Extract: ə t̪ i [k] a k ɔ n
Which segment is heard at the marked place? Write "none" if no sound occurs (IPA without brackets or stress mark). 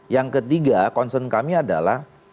ɡ